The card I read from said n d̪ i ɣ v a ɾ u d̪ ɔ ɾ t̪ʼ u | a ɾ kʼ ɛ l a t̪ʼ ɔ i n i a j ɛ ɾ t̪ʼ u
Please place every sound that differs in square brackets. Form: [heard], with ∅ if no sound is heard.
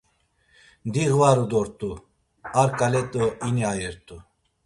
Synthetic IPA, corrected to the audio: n d̪ i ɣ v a ɾ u d̪ ɔ ɾ t̪ʼ u | a ɾ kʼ [a] l [ɛ] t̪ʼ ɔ i n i a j ɛ ɾ t̪ʼ u